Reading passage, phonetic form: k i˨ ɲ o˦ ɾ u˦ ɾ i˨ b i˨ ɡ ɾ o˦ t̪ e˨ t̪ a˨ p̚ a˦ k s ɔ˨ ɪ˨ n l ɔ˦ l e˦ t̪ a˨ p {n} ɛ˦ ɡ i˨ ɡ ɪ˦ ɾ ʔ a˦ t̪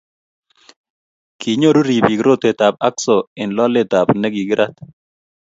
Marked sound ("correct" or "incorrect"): correct